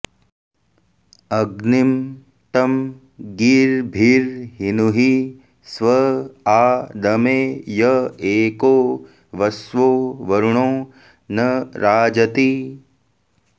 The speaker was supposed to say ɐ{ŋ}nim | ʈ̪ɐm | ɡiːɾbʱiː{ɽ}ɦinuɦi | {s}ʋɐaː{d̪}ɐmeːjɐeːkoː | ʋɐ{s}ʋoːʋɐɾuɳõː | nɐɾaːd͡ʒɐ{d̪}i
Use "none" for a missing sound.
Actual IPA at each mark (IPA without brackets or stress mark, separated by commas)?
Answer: ɡ, ɾ, s, d̪, s, t̪